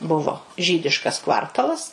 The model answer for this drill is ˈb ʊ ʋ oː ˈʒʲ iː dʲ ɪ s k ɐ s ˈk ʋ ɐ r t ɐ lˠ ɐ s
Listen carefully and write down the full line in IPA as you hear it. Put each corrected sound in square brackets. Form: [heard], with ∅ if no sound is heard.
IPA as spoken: ˈb ʊ ʋ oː ˈʒʲ iː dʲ ɪ [ʃ] k ɐ s ˈk ʋ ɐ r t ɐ lˠ ɐ s